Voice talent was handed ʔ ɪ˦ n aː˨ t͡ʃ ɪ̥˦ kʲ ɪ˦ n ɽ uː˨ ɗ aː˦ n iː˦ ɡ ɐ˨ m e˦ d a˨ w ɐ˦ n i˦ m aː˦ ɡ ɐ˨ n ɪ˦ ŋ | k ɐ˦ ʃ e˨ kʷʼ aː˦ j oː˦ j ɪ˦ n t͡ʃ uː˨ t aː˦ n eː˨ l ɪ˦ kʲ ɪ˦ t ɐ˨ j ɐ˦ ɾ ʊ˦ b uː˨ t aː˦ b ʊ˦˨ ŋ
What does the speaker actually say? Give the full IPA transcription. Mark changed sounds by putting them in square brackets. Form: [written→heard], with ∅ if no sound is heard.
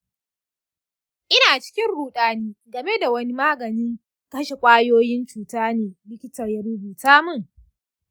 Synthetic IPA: ʔ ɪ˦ n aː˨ t͡ʃ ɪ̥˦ kʲ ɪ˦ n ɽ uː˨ ɗ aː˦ n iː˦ ɡ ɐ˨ m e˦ d a˨ w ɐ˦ n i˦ m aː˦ ɡ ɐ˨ n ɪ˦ ŋ | k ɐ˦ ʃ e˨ kʷʼ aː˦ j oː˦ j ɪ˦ n t͡ʃ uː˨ t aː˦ n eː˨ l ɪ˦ kʲ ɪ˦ t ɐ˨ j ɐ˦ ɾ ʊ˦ b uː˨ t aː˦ [b→m] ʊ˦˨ ŋ